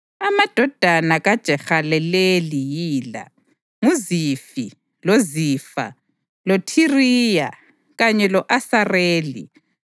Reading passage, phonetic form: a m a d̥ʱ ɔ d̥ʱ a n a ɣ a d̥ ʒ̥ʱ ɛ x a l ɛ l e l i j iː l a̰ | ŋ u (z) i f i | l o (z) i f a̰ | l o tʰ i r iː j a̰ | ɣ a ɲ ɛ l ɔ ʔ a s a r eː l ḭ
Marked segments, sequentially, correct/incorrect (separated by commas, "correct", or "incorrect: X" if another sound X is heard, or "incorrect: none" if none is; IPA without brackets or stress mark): correct, correct